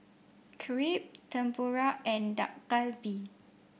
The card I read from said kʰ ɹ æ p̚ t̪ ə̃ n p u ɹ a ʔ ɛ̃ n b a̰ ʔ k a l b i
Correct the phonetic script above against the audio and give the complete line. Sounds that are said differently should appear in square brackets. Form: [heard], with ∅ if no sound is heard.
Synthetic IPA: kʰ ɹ [i] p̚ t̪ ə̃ [m] p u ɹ a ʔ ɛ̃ n [d] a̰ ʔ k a l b i